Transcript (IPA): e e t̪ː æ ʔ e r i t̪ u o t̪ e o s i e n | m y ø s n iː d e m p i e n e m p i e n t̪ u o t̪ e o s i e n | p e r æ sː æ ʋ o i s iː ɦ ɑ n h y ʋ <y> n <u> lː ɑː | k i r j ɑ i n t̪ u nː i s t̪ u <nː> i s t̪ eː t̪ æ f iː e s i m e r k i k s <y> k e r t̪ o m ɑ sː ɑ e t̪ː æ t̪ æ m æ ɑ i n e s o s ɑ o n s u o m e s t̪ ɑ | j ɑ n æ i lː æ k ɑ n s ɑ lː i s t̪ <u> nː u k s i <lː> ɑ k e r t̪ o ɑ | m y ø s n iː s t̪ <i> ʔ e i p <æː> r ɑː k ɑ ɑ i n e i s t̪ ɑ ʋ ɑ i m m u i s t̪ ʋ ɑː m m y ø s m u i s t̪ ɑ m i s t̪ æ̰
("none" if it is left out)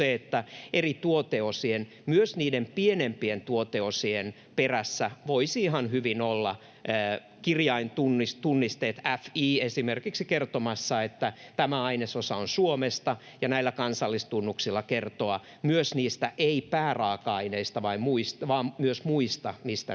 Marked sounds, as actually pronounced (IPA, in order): i, o, nː, i, u, lː, æ, æː

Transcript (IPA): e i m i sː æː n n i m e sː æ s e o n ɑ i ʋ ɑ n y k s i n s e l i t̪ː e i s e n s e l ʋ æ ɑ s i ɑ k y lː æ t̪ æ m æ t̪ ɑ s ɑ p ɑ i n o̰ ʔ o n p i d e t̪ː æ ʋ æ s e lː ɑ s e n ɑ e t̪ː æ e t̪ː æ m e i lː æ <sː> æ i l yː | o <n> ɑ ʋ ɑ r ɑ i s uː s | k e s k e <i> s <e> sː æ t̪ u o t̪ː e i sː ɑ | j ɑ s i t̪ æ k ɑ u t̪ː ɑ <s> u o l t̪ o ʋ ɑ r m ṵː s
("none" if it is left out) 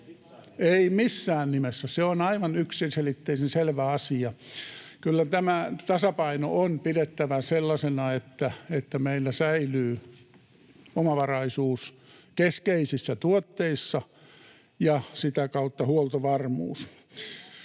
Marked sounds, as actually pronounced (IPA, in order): s, m, i, i, h

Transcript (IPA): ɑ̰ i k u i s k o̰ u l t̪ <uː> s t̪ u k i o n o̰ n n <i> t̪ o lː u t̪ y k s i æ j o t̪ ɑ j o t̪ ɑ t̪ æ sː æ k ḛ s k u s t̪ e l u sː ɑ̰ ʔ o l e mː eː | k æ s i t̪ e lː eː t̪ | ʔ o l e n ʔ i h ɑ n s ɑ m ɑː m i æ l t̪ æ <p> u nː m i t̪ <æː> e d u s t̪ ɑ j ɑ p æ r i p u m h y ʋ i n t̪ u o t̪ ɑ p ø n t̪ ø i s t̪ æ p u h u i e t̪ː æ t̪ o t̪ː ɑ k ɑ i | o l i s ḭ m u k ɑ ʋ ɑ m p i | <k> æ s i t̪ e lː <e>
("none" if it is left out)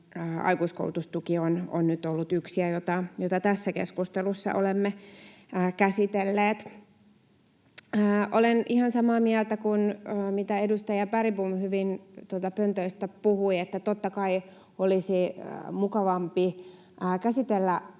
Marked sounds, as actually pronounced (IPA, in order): u, y, k, æ, k, æ

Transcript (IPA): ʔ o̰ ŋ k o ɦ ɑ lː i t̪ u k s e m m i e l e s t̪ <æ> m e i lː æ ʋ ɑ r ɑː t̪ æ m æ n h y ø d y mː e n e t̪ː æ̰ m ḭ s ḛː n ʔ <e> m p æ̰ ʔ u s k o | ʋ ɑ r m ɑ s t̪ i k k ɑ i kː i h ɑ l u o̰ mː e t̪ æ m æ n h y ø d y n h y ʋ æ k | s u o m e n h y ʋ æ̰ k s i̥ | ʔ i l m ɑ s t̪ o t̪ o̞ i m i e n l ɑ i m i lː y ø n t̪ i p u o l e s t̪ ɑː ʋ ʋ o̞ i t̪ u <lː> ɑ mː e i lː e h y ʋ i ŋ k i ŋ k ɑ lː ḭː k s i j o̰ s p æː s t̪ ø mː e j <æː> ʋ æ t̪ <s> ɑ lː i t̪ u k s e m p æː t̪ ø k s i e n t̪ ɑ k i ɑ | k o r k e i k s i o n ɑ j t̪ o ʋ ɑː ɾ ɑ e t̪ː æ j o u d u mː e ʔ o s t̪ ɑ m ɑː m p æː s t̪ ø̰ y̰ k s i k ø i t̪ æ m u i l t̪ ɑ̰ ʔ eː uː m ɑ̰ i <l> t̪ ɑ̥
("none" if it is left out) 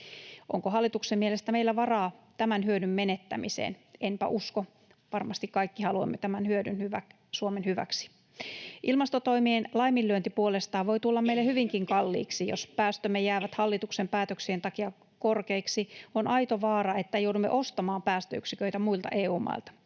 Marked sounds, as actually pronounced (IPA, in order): æ, e, lː, æː, h, l

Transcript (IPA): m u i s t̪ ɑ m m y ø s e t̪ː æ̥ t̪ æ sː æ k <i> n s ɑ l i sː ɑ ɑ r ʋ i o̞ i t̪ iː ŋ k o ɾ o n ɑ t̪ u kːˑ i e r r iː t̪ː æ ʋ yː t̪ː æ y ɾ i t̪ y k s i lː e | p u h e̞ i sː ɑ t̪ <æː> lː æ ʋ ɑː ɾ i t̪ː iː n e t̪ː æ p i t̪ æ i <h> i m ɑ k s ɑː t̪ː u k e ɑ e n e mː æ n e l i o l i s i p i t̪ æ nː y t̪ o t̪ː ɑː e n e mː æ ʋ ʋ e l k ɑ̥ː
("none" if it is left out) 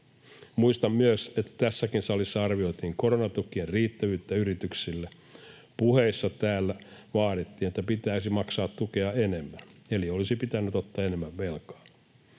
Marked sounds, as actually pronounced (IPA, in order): i, æː, s

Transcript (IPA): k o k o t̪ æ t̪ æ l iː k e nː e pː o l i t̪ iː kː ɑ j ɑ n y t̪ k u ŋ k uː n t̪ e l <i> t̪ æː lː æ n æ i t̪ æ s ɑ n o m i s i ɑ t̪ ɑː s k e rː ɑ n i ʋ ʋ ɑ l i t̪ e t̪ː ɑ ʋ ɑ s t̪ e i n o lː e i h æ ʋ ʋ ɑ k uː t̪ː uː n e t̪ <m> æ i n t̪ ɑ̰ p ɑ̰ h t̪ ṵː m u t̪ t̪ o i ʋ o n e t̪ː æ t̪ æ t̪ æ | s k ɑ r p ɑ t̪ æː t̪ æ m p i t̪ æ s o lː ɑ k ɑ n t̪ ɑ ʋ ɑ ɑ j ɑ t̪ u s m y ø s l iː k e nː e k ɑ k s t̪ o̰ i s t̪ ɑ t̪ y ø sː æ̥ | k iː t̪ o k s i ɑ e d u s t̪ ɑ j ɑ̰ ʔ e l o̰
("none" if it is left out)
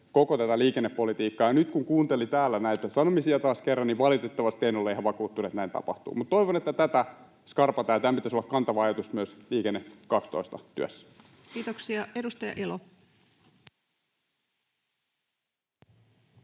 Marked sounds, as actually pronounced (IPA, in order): i, n

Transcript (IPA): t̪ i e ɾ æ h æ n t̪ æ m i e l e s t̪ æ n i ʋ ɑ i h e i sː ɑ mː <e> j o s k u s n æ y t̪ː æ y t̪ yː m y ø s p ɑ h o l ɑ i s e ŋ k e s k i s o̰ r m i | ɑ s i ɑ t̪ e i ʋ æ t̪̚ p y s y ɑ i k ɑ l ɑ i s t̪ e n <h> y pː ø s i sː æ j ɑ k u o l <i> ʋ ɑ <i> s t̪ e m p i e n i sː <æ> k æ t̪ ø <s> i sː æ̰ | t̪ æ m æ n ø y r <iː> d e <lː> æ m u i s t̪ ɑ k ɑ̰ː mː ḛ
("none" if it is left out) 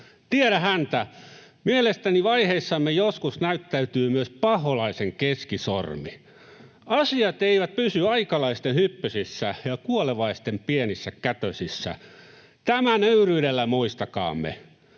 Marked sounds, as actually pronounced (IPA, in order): e, h, e, i, æ, s, yː, lː

